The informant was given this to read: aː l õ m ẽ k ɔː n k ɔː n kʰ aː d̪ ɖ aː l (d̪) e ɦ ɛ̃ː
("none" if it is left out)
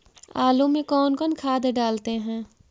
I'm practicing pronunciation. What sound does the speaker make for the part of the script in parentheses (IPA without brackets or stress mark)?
t̪